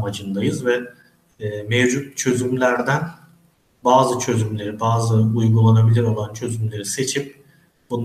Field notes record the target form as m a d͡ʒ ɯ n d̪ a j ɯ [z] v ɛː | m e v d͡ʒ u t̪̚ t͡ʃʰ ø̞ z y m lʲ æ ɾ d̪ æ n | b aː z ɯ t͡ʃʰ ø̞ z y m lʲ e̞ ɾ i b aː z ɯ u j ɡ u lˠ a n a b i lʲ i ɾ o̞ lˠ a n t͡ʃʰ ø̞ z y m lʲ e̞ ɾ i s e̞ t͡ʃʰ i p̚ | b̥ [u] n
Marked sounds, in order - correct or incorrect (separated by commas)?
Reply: correct, correct